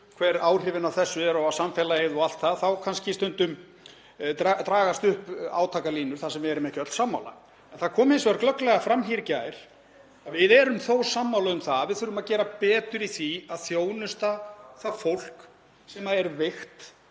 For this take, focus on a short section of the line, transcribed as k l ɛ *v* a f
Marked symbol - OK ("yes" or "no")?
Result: no